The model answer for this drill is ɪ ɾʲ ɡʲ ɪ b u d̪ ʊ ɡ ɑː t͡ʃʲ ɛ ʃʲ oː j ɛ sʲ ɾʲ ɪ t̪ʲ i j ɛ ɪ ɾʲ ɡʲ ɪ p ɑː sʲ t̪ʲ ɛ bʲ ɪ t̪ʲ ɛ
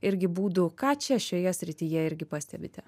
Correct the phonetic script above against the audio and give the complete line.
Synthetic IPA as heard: ɪ ɾʲ ɡʲ ɪ b uː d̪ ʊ k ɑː t͡ʃʲ ɛ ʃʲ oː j ɛ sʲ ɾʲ ɪ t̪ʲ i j ɛ ɪ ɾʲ ɡʲ ɪ p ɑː sʲ t̪ʲ ɛ bʲ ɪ t̪ʲ ɛ

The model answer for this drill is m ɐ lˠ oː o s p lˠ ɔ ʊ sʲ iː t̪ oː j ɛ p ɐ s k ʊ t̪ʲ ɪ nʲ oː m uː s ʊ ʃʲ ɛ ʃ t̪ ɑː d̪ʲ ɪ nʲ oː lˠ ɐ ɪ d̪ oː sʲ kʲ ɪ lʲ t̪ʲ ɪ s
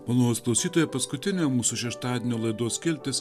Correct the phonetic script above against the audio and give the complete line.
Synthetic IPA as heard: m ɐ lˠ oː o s k lˠ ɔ ʊ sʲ iː t̪ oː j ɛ p ɐ s k ʊ t̪ʲ ɪ nʲ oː m uː s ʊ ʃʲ ɛ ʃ t̪ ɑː d̪ʲ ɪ nʲ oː lˠ ɐ ɪ d̪ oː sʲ kʲ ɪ lʲ t̪ʲ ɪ s

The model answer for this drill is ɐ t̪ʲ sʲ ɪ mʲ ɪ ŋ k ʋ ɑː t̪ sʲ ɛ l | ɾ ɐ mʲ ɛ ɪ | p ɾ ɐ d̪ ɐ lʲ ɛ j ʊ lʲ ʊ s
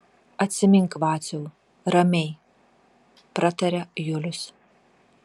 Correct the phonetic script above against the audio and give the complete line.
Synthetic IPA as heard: ɐ t̪ʲ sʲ ɪ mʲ ɪ ŋ k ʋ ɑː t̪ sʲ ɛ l | ɾ ɐ mʲ ɛ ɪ | p ɾ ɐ t̪ ɐ ɾʲ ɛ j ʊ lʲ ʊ s

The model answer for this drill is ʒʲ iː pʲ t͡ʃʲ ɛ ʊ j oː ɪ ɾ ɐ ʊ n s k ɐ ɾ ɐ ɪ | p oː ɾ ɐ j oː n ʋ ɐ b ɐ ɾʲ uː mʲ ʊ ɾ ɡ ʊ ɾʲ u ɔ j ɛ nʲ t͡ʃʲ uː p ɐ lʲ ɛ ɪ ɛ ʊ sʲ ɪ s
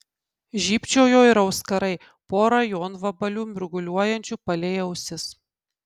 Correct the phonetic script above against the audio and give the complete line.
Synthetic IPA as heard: ʒʲ iː pʲ t͡ʃʲ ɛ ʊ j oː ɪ ɾ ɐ ʊ s k ɐ ɾ ɐ ɪ | p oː ɾ ɐ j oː n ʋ ɐ b ɐ lʲ uː mʲ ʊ ɾ ɡ ʊ lʲ u ɔ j ɛ nʲ t͡ʃʲ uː p ɐ lʲ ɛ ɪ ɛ ʊ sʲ ɪ s

